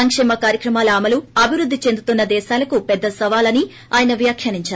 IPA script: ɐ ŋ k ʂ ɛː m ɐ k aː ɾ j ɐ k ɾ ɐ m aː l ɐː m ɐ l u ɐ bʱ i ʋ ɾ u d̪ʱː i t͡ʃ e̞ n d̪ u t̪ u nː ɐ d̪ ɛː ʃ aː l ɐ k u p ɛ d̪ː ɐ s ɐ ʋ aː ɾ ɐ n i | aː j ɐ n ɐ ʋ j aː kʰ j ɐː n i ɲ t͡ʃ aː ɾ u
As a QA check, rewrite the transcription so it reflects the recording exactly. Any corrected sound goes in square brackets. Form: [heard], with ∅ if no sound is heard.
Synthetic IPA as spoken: ɐ ŋ k ʂ ɛː m ɐ k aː ɾ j ɐ k ɾ ɐ m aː l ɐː m ɐ l u ɐ bʱ i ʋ ɾ u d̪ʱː i t͡ʃ e̞ n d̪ u t̪ u nː ɐ d̪ ɛː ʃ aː l ɐ k u p ɛ d̪ː ɐ s ɐ ʋ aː [l] ɐ n i | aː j ɐ n ɐ ʋ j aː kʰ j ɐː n i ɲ t͡ʃ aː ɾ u